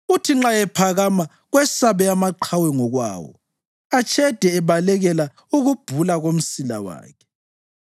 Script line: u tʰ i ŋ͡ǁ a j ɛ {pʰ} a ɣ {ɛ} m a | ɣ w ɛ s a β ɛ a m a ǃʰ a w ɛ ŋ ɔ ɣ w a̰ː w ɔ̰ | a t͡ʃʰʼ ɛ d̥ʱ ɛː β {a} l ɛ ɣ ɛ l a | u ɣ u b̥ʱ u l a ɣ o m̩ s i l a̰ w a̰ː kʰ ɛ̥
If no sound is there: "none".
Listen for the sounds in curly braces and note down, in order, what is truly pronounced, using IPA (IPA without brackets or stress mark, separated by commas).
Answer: pʰ, a, a